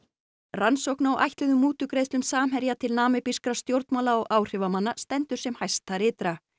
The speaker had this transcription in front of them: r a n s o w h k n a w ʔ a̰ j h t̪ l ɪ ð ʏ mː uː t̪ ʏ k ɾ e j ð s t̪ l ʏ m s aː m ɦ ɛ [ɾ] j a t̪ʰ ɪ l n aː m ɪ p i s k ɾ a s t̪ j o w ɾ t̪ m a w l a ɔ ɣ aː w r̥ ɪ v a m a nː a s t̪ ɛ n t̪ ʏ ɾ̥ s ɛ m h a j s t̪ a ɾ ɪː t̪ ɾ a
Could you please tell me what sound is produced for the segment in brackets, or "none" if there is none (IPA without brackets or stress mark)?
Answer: ɾ